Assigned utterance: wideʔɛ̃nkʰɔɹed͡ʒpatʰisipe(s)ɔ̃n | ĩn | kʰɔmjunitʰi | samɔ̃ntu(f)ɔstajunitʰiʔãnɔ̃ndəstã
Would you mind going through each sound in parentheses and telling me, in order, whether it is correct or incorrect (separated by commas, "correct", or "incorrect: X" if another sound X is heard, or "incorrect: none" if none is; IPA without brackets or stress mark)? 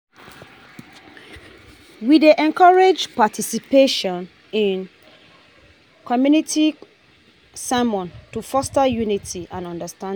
incorrect: ʃ, correct